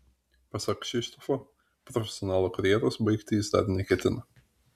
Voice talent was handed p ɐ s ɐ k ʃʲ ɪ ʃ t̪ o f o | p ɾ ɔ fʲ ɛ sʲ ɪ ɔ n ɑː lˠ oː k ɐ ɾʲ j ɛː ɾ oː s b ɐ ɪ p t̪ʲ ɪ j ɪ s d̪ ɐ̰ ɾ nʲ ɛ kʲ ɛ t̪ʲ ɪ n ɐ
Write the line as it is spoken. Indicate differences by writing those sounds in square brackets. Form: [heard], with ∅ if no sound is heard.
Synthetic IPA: p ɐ s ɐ k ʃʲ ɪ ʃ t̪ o f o | p ɾ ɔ fʲ ɛ sʲ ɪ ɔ n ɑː lˠ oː k ɐ ɾʲ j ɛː ɾ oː s b ɐ ɪ [k] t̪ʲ ɪ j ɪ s d̪ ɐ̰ ɾ nʲ ɛ kʲ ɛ t̪ʲ ɪ n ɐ